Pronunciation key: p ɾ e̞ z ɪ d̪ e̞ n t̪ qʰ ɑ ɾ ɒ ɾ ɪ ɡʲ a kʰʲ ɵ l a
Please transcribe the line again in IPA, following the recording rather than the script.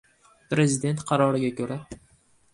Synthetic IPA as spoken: p ɾ e̞ z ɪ d̪ e̞ n t̪ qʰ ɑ ɾ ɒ ɾ ɪ ɡʲ a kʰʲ ɵ ɾ a